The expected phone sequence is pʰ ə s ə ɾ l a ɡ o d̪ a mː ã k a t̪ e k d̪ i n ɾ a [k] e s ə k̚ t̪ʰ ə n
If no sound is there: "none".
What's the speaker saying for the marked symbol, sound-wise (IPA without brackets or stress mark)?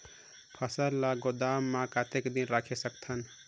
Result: kʰ